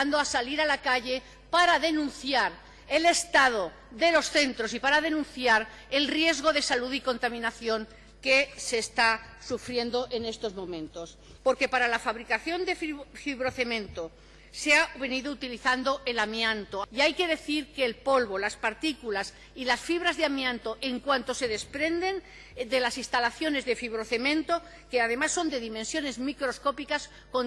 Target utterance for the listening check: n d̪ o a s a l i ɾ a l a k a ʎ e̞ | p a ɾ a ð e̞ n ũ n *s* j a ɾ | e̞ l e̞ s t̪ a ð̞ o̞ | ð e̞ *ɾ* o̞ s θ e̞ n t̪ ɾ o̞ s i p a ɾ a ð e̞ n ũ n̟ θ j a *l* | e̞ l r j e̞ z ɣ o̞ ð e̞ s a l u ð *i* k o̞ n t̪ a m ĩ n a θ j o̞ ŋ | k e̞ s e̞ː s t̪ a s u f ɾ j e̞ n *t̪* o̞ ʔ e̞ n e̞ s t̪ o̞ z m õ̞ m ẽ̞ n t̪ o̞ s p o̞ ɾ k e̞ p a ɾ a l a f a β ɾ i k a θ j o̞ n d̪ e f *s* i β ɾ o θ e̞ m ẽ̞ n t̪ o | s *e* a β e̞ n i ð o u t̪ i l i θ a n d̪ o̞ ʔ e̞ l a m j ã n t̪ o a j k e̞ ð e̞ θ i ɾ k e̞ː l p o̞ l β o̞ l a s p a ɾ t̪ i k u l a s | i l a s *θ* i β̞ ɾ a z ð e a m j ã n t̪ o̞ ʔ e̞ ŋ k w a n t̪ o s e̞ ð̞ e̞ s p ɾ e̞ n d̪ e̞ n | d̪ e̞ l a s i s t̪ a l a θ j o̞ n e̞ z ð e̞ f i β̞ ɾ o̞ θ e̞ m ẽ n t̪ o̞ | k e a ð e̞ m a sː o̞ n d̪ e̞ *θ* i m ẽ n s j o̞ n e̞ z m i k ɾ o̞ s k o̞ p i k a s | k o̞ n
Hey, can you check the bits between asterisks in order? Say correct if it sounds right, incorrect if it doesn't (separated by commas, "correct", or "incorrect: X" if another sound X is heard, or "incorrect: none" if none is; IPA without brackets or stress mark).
incorrect: θ, incorrect: l, incorrect: ɾ, correct, incorrect: d̪, incorrect: f, correct, incorrect: f, incorrect: ð